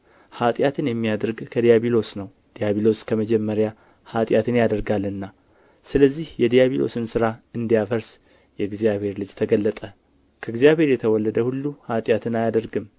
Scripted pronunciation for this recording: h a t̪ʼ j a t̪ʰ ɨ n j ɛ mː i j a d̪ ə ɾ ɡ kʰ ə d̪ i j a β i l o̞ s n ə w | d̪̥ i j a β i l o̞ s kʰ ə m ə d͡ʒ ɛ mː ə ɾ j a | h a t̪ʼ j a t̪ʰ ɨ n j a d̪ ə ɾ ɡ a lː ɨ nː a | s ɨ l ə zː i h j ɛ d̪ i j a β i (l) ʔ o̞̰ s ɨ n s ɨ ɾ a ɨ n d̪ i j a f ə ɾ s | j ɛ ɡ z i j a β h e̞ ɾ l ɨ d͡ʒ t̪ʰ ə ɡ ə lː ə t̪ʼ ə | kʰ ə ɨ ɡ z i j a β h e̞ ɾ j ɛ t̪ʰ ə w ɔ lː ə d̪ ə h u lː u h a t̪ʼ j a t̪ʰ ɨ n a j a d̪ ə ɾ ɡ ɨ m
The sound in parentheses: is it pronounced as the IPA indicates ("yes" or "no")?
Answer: yes